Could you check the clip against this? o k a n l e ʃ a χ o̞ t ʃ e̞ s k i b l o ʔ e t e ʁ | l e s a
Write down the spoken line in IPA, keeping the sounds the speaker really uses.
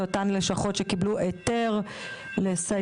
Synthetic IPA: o t a n l e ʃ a χ o̞ t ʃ e̞ k i b l u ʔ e t e ʁ | l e s a